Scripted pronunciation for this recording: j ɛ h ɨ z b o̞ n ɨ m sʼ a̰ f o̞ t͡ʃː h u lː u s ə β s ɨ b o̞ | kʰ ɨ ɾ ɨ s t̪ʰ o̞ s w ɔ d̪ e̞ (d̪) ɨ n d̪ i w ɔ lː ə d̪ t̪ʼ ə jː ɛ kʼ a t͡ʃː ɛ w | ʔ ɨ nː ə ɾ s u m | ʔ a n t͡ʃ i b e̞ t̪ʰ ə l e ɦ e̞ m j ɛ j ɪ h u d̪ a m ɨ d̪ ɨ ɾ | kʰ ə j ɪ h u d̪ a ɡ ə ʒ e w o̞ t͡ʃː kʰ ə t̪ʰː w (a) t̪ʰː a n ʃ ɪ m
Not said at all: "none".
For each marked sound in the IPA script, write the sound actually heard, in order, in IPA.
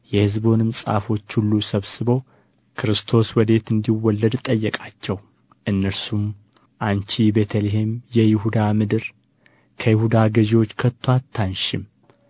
t̪, a

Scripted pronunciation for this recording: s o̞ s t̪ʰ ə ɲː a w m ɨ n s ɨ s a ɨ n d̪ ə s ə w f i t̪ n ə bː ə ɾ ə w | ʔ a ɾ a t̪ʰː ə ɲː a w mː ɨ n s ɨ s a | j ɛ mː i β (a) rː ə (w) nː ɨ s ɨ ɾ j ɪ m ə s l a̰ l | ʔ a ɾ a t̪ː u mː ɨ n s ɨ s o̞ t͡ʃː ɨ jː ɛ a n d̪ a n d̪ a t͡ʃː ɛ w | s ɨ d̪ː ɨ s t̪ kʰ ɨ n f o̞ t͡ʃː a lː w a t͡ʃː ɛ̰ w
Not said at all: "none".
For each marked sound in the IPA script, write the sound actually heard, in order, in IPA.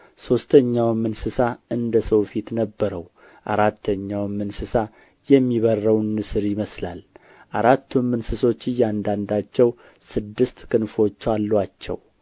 ə, w

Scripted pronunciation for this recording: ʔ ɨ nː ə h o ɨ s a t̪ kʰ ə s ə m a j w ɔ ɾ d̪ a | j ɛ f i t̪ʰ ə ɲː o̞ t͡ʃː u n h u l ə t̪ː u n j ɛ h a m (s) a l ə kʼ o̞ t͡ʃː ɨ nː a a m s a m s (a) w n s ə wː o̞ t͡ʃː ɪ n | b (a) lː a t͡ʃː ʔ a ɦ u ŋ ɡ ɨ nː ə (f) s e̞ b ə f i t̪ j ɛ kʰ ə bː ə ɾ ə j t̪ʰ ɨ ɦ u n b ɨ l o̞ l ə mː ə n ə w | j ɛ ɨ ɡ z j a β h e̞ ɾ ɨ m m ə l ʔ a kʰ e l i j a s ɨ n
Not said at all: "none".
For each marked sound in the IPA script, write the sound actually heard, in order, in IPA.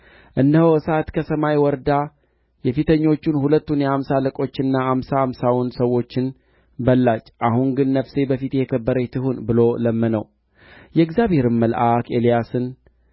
s, a, ə, f

